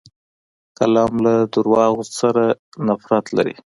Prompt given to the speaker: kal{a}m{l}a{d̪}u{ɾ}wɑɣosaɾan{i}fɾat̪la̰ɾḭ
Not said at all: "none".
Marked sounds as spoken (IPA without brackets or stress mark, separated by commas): ɑ, l, d̪, ɾ, a